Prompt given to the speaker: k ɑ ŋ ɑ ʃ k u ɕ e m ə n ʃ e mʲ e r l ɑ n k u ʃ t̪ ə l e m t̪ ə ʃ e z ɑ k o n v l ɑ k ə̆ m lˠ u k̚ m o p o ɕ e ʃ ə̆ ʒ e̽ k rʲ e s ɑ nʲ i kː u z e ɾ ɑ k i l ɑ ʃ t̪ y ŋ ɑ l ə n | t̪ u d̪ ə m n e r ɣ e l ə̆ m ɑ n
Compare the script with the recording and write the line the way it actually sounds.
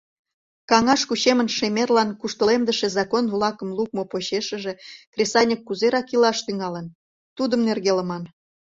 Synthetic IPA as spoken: k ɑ ŋ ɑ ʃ k u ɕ e m ə n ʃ e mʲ e r l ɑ n k u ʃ t̪ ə l e m d̪ ə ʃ e z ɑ k o n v l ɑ k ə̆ m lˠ u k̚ m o p o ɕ e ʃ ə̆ ʒ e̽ k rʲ e s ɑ nʲ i kː u z e ɾ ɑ k i l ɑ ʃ t̪ y ŋ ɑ l ə n | t̪ u d̪ ə m n e r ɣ e l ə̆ m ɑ n

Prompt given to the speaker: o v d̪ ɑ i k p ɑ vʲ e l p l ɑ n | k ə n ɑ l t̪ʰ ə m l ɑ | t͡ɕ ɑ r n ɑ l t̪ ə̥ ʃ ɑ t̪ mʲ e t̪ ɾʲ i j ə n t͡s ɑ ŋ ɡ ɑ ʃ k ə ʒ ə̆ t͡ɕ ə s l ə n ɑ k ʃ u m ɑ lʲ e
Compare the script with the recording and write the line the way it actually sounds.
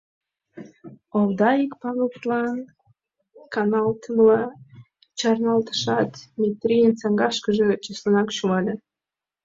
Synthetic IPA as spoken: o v d̪ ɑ i k p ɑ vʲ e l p l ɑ n | k ɑ n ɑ l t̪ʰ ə m l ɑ | t͡ɕ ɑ r n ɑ l t̪ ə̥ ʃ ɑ t̪ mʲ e t̪ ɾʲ i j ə n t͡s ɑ ŋ ɡ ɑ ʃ k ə ʒ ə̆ t͡ɕ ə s l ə n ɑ k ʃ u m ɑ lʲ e

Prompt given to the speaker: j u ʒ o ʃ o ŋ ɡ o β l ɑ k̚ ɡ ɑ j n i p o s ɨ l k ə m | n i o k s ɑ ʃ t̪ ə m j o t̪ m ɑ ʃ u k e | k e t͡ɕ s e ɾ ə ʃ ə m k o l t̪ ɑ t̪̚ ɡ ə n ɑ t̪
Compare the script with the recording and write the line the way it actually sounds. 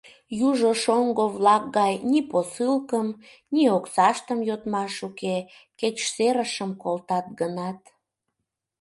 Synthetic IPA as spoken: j u ʒ o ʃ o ŋ ɡ o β l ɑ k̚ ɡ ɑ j n i p o s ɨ l k ə m | n i o k s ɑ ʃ t̪ ə m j o t̪ m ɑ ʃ u k e | k e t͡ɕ s e ɾ ə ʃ ə m k o l t̪ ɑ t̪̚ ɡ ə n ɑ t̪

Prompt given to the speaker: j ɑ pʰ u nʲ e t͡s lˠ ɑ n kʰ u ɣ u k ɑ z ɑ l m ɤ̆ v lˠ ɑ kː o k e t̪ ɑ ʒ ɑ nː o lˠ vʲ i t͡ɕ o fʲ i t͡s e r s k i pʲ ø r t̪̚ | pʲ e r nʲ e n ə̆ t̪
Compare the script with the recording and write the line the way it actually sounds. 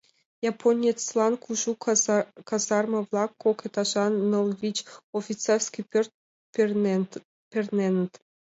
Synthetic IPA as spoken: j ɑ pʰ o nʲ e t͡s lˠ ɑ n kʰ u ʒ u k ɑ z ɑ r m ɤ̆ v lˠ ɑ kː o k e t̪ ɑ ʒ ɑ nː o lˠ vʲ i t͡ɕ o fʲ i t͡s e r s k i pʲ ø r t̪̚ | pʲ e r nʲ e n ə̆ t̪

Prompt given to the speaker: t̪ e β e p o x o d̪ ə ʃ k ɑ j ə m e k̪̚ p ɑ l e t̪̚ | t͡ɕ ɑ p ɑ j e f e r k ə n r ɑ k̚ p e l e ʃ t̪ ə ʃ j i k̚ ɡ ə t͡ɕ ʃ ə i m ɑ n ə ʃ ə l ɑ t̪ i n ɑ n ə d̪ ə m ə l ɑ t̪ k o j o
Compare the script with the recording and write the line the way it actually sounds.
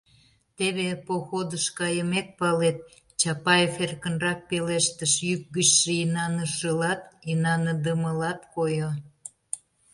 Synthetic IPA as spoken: t̪ e β e p o x o d̪ ə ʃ k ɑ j ə m e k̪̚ p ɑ l e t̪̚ | t͡ɕ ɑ p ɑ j e f e r k ə n r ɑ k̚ p e l e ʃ t̪ ə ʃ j y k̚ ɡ ə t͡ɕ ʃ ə i n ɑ n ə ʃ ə l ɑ t̪ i n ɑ n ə d̪ ə m ə l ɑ t̪ k o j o

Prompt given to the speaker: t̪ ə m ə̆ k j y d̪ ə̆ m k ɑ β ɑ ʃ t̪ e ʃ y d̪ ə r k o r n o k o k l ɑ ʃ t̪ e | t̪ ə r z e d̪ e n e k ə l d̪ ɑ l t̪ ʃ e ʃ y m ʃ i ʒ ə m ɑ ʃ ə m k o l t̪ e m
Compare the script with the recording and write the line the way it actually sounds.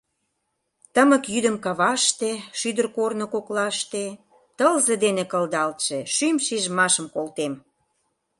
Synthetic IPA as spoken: t̪ ə m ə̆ k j y d̪ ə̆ m k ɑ β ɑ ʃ t̪ e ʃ y d̪ ə r k o r n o k o k l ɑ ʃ t̪ e | t̪ ə l z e d̪ e n e k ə l d̪ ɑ l t̪ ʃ e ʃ y m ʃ i ʒ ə m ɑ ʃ ə m k o l t̪ e m

